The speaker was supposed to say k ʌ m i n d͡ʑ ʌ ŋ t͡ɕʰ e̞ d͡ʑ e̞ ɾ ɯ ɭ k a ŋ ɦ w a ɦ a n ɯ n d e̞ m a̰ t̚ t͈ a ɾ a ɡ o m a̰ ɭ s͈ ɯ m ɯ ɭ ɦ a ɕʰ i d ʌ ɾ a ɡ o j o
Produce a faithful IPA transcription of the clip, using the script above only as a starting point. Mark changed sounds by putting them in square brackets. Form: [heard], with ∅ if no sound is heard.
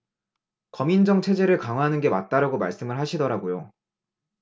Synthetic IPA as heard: k ʌ m i n d͡ʑ ʌ ŋ t͡ɕʰ e̞ d͡ʑ e̞ ɾ ɯ ɭ k a ŋ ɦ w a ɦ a n ɯ n [ɡ] e̞ m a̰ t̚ t͈ a ɾ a ɡ o m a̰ ɭ s͈ ɯ m ɯ ɭ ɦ a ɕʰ i d ʌ ɾ a ɡ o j o